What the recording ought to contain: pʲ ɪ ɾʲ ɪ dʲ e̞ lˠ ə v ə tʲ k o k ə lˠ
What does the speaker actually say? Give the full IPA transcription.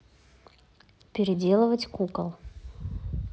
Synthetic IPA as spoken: pʲ ɪ ɾʲ ɪ dʲ e̞ lˠ ə v ə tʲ k u k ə lˠ